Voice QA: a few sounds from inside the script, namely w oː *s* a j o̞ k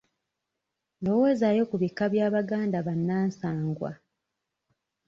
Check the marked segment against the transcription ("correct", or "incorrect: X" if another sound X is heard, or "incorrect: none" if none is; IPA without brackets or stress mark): incorrect: z